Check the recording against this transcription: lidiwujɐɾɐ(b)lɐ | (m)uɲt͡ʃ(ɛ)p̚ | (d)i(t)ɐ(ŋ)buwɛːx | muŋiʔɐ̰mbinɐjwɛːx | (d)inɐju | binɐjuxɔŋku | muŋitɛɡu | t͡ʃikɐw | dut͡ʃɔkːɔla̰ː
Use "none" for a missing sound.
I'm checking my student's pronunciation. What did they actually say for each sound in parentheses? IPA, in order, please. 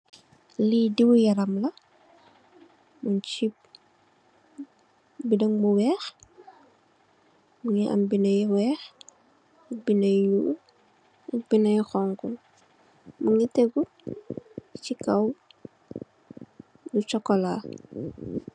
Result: m, m, i, b, d, ŋ, b

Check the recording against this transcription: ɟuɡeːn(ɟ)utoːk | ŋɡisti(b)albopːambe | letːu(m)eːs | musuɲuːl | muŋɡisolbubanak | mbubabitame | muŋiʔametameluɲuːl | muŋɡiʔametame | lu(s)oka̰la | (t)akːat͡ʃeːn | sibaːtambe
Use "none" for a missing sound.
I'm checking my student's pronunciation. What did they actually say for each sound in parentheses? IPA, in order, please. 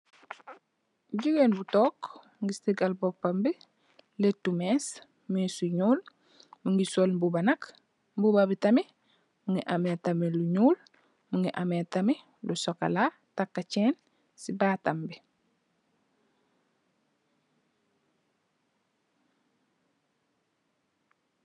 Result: b, ɡ, m, s, t

